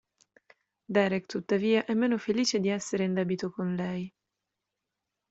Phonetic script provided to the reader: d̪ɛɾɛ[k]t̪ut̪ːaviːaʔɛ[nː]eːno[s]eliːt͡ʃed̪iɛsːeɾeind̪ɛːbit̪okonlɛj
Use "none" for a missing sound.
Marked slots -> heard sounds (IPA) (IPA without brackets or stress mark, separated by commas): k, mː, f